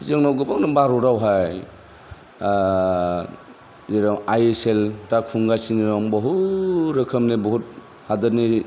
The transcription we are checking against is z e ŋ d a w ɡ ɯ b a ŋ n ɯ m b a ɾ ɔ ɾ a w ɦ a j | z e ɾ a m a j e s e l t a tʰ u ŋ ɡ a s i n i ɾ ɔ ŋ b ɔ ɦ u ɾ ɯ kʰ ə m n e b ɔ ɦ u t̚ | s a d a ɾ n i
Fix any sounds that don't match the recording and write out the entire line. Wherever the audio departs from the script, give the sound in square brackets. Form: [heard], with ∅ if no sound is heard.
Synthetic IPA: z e ŋ [n] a w ɡ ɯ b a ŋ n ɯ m b a ɾ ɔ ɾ a w ɦ a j | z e ɾ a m a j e s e l t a [kʰ] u ŋ ɡ a s i n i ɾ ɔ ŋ b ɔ ɦ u ɾ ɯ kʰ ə m n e b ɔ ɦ u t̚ | [h] a d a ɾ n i

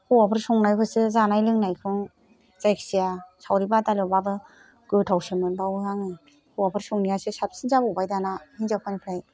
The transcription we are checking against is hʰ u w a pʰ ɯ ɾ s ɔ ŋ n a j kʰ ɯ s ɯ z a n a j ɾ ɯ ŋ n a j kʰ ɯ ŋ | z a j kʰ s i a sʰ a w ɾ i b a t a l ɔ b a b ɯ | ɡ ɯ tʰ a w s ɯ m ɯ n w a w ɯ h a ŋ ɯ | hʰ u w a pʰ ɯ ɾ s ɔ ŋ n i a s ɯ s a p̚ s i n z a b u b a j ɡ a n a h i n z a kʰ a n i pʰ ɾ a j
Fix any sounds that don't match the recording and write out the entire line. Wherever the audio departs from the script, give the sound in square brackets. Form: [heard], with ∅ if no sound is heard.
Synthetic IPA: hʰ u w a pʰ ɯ ɾ s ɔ ŋ n a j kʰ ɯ s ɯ z a n a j [l] ɯ ŋ n a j kʰ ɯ ŋ | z a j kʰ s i a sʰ a w ɾ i b a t a l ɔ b a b ɯ | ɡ ɯ tʰ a w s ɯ m ɯ n [b] a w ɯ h a ŋ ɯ | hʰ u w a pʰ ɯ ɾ s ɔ ŋ n i a s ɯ s a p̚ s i n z a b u b a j [d] a n a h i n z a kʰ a n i pʰ ɾ a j

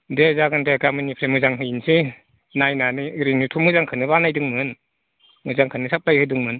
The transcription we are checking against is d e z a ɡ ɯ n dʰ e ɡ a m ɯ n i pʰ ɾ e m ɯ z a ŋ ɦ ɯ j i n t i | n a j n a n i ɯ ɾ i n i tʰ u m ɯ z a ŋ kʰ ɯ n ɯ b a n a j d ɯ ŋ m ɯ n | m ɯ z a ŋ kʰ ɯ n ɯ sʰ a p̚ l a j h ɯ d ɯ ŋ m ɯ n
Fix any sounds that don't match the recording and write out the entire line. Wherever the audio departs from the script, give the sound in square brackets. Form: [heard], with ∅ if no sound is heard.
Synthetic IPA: d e z a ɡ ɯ n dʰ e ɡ a m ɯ n i pʰ ɾ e m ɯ z a ŋ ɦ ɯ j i n [s] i | n a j n a n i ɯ ɾ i n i tʰ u m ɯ z a ŋ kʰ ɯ n ɯ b a n a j d ɯ ŋ m ɯ n | m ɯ z a ŋ kʰ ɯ n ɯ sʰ a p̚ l a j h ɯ d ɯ ŋ m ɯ n

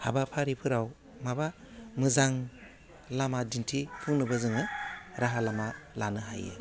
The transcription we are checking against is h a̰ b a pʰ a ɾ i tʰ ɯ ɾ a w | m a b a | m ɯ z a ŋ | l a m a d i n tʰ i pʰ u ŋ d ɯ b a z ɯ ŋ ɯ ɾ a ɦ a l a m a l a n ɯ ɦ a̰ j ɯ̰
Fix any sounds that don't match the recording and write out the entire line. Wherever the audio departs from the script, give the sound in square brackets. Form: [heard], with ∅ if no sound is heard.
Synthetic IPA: h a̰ b a pʰ a ɾ i [pʰ] ɯ ɾ a w | m a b a | m ɯ z a ŋ | l a m a d i n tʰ i pʰ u ŋ [n] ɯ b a z ɯ ŋ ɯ ɾ a ɦ a l a m a l a n ɯ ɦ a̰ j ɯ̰

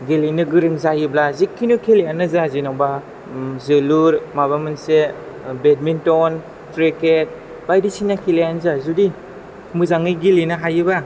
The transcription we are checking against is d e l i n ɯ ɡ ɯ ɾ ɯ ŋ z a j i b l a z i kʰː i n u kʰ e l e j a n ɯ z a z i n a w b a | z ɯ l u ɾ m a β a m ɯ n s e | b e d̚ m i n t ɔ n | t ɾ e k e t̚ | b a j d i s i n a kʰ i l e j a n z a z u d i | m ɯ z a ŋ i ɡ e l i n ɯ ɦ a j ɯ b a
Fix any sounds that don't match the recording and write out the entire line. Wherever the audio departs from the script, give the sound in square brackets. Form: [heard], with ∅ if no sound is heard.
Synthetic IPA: [ɡ] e l i n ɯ ɡ ɯ ɾ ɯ ŋ z a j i b l a z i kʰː i n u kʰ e l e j a n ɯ z a z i n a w b a | z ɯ l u ɾ m a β a m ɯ n s e | b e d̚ m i n t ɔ n | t ɾ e k e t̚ | b a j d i s i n a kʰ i l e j a n z a z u d i | m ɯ z a ŋ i ɡ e l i n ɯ ɦ a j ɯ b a

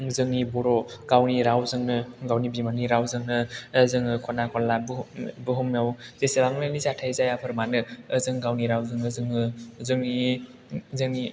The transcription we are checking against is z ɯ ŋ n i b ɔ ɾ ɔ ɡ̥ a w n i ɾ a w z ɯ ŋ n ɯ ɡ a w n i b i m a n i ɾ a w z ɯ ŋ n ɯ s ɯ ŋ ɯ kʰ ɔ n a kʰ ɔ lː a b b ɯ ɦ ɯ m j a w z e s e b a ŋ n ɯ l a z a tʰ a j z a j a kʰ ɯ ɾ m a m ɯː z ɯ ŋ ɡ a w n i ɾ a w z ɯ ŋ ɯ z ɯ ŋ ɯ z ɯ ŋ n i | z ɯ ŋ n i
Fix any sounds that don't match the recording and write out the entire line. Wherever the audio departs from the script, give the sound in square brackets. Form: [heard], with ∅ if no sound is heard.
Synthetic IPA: z ɯ ŋ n i b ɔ ɾ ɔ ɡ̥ a w n i ɾ a w z ɯ ŋ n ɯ ɡ a w n i b i m a n i ɾ a w z ɯ ŋ n ɯ [z] ɯ ŋ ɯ kʰ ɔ n a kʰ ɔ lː a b b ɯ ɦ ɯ m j a w z e s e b a ŋ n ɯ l [i] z a tʰ a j z a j a [pʰ] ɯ ɾ m a [n] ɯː z ɯ ŋ ɡ a w n i ɾ a w z ɯ ŋ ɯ z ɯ ŋ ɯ z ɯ ŋ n i | z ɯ ŋ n i

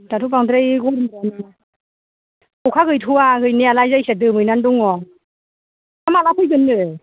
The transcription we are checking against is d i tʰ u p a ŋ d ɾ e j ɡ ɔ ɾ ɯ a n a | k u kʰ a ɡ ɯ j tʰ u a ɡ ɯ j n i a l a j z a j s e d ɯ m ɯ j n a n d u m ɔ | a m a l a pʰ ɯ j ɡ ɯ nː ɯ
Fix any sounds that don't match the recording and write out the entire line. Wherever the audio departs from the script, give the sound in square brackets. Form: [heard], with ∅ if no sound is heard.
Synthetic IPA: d [a] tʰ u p a ŋ d ɾ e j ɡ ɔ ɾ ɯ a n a | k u kʰ a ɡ ɯ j tʰ u a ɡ ɯ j n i a l a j z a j s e d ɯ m ɯ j n a n d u [ŋ] ɔ | a m a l a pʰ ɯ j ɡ ɯ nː ɯ

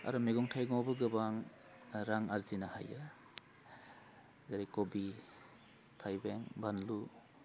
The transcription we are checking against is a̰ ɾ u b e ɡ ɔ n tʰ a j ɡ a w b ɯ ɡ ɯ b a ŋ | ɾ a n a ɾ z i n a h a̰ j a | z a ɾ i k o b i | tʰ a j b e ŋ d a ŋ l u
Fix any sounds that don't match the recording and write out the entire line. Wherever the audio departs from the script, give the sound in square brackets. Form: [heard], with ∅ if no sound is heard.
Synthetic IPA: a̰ ɾ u [m] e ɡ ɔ [ŋ] tʰ a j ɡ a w b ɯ ɡ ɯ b a ŋ | ɾ a [ŋ] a ɾ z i n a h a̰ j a | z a ɾ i k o b i | tʰ a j b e ŋ [b] a [n] l u

